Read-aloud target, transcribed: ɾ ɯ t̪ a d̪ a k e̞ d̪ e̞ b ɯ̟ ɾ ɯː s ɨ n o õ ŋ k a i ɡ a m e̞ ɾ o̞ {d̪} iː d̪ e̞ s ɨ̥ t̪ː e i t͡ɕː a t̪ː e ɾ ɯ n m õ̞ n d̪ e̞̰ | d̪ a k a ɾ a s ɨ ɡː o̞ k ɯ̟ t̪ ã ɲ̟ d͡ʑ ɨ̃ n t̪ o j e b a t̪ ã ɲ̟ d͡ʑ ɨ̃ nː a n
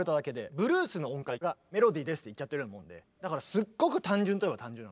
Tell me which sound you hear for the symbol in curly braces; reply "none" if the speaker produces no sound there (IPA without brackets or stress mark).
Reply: d̪